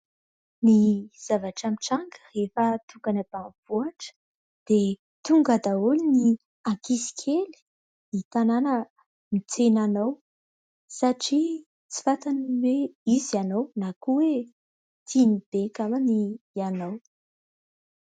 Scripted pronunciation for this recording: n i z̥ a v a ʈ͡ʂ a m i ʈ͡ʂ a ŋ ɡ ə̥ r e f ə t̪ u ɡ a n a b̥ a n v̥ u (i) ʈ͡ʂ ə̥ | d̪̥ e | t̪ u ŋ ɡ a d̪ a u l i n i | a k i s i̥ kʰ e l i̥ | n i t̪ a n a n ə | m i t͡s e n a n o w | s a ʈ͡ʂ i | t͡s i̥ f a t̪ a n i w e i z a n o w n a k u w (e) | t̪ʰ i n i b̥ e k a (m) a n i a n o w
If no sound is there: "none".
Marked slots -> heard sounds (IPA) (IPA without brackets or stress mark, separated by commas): a, e, m